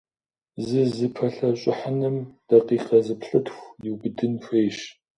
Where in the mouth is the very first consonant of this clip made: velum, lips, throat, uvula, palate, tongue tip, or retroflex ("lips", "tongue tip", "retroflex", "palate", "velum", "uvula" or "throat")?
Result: tongue tip